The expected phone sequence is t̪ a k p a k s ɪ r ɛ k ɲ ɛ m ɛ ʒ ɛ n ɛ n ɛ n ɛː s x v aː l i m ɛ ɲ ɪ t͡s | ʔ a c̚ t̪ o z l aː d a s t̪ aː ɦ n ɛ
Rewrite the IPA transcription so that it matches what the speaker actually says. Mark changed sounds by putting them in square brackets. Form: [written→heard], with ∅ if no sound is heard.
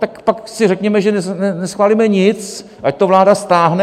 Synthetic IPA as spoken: t̪ a k p a k s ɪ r ɛ k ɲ ɛ m ɛ ʒ ɛ n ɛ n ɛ n [ɛː→ɛ] s x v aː l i m ɛ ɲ ɪ t͡s | ʔ a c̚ t̪ o [z→v] l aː d a s t̪ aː ɦ n ɛ